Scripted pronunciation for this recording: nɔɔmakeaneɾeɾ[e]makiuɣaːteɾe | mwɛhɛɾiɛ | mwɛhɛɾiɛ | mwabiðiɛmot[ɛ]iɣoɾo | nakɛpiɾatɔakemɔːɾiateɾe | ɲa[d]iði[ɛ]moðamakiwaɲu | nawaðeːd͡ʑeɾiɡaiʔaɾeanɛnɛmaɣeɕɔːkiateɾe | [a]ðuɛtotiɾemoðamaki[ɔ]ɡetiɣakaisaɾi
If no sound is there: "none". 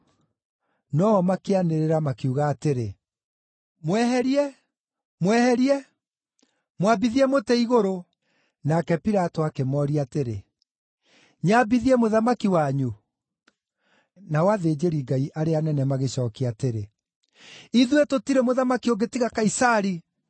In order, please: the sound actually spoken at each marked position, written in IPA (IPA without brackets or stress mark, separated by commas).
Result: a, ɛ, b, ɛ, i, o